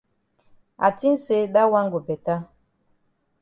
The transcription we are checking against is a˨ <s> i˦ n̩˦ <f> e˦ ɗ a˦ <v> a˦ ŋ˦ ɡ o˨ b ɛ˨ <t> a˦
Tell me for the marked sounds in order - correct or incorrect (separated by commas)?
incorrect, incorrect, incorrect, correct